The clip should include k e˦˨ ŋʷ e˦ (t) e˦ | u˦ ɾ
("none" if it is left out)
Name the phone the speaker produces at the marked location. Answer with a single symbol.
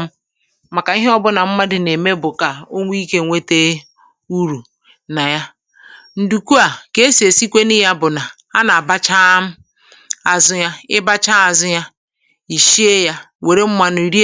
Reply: t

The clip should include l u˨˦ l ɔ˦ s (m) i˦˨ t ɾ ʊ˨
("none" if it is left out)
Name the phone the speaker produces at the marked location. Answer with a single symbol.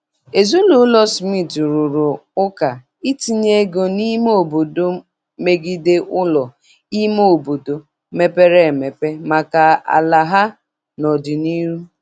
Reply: m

